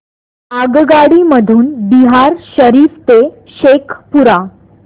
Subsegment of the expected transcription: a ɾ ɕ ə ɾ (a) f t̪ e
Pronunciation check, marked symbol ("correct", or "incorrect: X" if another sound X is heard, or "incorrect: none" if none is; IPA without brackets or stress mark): incorrect: i